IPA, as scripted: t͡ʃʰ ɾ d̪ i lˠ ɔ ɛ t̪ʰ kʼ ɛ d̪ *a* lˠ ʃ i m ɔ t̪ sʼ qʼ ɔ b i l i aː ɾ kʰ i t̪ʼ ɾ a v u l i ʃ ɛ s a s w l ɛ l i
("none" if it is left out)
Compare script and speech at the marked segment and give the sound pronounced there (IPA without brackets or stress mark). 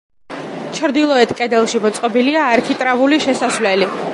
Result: ɛ